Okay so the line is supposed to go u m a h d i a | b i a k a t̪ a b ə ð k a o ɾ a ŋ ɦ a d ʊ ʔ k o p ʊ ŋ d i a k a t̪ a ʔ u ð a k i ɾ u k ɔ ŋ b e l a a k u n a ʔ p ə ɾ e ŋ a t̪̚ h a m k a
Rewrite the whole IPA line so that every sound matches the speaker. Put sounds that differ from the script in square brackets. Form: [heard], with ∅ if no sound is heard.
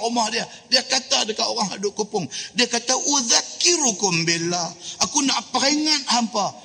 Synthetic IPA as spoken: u m a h d i a | [d] i a k a t̪ a [d] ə [∅] k a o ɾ a ŋ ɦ a d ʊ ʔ k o p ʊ ŋ d i a k a t̪ a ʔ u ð a k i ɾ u k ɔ [m] b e l a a k u n a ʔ p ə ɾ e ŋ a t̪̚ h a m [p] a